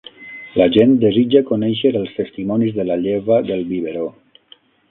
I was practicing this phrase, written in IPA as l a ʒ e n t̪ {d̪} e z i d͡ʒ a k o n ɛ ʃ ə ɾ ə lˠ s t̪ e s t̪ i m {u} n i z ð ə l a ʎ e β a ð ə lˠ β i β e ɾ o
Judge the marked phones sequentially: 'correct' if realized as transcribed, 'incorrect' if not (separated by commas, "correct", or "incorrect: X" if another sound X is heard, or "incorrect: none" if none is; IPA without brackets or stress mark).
correct, incorrect: ɔ